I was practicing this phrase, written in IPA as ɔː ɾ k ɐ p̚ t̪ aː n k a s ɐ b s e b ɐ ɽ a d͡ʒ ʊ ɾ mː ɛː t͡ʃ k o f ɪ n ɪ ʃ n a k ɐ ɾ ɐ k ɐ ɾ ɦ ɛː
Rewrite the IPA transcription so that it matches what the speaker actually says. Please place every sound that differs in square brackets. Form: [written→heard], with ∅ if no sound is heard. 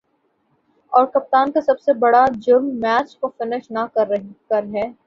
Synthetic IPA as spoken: ɔː ɾ k ɐ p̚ t̪ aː n k a s ɐ b s e b ɐ ɽ a d͡ʒ ʊ ɾ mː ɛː t͡ʃ k o f ɪ n ɪ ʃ n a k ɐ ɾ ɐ k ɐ ɾ ɦ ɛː